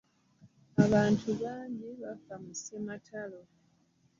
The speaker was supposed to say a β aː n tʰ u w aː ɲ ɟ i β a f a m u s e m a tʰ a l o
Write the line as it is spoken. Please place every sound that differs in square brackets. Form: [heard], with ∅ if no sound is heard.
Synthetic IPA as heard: a β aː n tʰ u [β] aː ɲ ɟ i β a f a m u s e m a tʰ a l o